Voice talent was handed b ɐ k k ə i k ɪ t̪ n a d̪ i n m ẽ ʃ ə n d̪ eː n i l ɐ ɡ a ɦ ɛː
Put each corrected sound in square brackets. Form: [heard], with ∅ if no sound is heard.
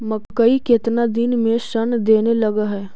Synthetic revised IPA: [m] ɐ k k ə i k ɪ t̪ n a d̪ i n m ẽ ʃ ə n d̪ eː n [e] l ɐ ɡ a ɦ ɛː